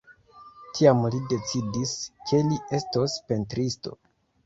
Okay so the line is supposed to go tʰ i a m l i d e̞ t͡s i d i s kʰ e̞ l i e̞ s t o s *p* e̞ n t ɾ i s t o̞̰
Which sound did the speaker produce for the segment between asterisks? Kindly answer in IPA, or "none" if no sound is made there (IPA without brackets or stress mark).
p